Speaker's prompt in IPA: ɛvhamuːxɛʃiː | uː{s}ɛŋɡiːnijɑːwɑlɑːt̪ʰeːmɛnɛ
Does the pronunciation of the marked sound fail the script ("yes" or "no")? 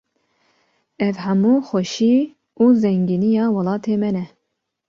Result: yes